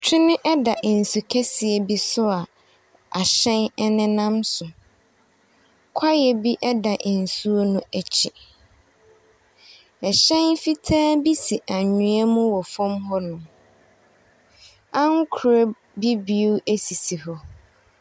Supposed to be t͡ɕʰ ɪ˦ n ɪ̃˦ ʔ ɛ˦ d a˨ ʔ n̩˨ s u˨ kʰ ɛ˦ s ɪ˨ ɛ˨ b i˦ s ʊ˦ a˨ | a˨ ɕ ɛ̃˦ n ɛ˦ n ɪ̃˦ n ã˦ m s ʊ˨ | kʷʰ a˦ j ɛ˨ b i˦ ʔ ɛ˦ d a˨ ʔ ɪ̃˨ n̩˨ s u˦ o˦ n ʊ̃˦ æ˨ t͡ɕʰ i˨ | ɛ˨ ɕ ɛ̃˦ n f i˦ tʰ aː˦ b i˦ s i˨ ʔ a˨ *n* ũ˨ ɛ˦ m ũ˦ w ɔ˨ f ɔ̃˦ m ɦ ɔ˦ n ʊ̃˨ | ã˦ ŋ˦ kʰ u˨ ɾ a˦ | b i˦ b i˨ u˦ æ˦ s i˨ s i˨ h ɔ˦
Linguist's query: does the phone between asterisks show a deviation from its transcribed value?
yes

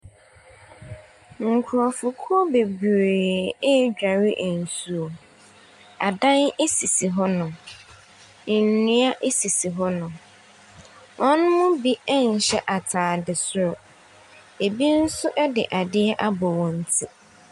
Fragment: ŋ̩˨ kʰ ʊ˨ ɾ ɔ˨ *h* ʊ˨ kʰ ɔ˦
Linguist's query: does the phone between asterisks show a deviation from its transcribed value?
yes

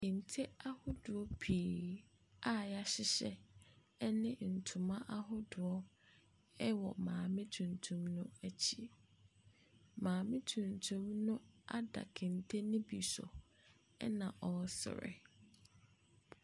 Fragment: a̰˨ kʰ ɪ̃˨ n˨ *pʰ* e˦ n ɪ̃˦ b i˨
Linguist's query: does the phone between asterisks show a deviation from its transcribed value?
yes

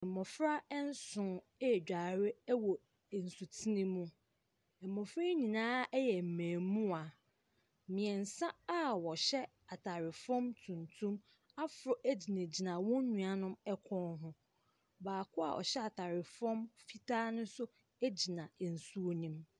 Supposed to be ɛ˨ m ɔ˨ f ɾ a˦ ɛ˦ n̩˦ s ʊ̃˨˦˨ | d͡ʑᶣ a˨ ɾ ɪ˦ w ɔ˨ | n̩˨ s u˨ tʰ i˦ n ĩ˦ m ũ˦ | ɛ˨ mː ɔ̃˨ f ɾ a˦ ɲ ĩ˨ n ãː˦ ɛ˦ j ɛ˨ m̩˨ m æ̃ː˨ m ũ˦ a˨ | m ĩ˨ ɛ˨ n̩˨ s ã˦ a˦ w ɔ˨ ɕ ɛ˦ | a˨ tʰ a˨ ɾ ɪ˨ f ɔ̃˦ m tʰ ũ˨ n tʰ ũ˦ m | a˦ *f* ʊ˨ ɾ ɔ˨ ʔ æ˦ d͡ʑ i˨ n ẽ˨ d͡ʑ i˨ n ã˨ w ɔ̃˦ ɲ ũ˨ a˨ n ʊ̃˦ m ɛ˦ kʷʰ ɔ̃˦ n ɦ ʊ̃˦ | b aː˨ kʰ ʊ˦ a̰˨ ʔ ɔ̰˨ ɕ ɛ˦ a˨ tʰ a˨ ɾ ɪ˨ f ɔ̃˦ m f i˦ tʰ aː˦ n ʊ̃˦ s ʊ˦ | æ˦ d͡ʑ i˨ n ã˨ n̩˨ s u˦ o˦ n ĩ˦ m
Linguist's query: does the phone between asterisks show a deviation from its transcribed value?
no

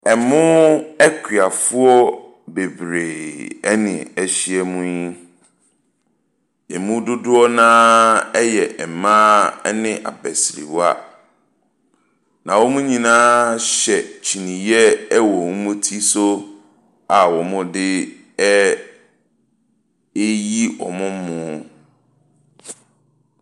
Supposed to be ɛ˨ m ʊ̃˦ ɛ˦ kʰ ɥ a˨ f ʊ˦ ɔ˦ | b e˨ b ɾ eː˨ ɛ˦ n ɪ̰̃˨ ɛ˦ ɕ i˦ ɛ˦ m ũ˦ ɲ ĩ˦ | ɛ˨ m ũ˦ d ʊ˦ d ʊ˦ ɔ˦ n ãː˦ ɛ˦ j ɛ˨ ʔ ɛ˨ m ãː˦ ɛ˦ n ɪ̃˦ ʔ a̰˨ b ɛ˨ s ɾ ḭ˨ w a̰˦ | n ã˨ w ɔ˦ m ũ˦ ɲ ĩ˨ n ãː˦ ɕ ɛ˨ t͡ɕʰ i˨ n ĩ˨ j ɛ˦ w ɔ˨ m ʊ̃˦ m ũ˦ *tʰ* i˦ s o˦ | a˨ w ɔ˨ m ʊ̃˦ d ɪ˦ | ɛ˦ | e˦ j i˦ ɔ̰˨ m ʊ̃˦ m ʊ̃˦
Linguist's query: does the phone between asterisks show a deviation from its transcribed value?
no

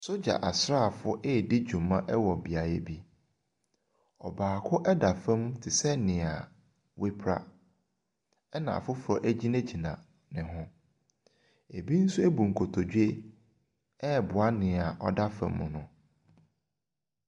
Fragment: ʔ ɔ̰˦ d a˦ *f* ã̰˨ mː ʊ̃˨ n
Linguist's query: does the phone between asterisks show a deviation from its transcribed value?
no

